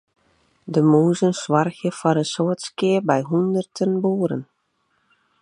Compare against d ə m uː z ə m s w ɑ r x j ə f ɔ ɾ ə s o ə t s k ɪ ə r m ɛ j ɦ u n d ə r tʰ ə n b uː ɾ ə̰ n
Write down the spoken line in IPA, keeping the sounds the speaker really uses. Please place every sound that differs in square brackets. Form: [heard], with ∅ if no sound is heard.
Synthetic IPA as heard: d ə m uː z ə [n] s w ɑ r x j ə f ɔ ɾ ə s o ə t s k ɪ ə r [b] ɛ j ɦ u n d ə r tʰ ə n b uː ɾ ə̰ n